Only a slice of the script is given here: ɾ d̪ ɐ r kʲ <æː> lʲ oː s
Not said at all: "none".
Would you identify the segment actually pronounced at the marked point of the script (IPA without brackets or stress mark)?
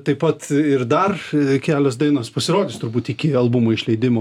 æː